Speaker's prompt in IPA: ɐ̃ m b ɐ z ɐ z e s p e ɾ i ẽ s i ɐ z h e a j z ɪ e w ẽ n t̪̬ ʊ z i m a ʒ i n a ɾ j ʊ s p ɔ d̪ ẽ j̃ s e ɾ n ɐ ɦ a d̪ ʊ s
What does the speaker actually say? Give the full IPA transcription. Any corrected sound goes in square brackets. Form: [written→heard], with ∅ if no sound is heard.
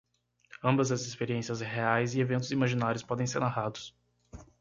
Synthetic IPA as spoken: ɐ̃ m b ɐ z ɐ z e s p e ɾ i ẽ s i ɐ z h e a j z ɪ e [w→v] ẽ n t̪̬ ʊ z i m a ʒ i n a ɾ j ʊ s p ɔ d̪ ẽ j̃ s e ɾ n [ɐ→a] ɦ a d̪ ʊ s